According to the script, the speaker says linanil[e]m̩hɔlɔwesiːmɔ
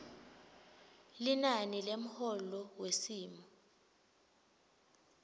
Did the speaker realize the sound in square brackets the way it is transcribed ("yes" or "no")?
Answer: yes